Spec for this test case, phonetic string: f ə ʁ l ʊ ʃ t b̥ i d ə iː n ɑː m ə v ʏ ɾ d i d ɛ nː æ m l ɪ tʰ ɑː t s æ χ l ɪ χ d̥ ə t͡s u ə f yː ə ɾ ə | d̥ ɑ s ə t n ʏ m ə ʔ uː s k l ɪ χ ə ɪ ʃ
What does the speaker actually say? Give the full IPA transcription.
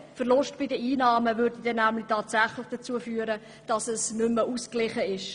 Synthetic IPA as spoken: f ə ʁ l ʊ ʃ t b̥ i d ə iː n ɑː m ə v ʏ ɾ d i d ɛ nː æ m l ɪ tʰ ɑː t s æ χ l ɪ χ d̥ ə t͡s u ə f yː ə ɾ ə | d̥ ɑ s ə s n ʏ m ə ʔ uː s k l ɪ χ ə ɪ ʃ